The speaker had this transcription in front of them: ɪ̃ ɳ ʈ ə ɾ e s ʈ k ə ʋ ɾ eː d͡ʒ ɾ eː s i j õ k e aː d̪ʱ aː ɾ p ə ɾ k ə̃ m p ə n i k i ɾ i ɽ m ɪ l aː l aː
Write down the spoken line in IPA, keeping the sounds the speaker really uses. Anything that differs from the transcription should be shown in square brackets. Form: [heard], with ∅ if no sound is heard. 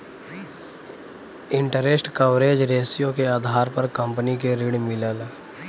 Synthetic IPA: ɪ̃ ɳ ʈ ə ɾ e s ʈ k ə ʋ ɾ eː d͡ʒ ɾ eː s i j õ k e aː d̪ʱ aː ɾ p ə ɾ k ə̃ m p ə n i k [e] ɾ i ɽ m ɪ l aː l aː